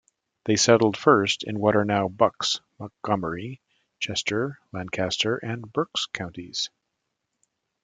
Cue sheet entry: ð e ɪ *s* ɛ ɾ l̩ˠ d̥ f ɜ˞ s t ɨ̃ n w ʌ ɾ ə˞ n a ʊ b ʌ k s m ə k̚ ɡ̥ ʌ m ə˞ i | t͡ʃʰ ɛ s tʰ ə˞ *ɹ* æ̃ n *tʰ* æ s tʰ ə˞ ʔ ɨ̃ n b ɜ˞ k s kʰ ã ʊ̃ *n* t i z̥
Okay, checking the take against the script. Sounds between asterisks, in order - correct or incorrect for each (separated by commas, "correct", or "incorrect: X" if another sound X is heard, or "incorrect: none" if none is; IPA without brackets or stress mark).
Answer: correct, incorrect: l, incorrect: kʰ, correct